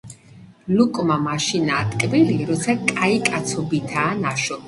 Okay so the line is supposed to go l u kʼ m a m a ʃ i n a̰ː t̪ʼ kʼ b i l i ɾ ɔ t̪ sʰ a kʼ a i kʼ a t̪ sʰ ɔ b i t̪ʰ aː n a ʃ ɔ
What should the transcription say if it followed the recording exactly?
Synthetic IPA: l u kʼ m a m a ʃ i n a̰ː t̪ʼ kʼ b i l i ɾ ɔ t̪ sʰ a kʼ a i kʼ a t̪ sʰ ɔ b i t̪ʰ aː n a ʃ ɔ